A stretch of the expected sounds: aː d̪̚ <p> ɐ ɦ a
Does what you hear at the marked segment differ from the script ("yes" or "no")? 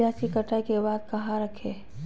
yes